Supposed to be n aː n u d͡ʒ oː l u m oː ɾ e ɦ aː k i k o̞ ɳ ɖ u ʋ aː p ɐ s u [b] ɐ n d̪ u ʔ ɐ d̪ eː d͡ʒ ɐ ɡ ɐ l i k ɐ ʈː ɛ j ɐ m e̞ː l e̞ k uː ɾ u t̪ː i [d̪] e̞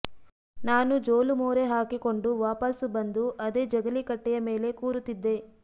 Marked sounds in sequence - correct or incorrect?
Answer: correct, incorrect: d̪ː

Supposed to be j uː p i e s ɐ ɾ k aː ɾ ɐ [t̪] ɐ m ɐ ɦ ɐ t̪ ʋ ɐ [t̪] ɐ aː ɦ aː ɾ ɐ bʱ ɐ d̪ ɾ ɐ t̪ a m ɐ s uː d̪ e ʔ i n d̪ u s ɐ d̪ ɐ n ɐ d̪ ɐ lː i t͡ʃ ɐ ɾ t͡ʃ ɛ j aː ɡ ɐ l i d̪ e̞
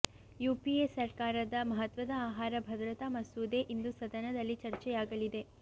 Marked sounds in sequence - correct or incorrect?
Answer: incorrect: d̪, incorrect: d̪

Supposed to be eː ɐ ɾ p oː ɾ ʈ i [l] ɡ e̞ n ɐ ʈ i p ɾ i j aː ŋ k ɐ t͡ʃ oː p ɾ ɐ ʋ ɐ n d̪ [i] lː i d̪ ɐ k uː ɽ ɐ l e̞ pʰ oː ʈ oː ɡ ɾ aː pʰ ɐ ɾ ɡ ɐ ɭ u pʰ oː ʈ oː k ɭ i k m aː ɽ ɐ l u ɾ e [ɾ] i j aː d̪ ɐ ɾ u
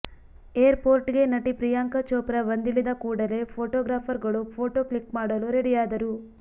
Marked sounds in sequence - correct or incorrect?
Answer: incorrect: none, correct, incorrect: ɽ

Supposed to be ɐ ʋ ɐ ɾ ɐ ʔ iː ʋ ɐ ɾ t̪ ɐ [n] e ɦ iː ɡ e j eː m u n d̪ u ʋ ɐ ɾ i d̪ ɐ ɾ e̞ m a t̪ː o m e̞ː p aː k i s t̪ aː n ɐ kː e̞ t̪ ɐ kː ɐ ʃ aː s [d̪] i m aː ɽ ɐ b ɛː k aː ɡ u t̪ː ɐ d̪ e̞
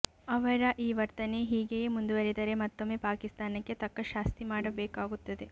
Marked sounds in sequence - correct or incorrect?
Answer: correct, incorrect: t̪

